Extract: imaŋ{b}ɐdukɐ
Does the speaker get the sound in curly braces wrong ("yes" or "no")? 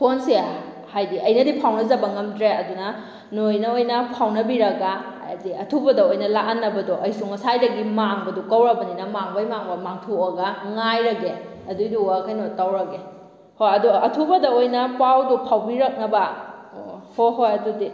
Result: no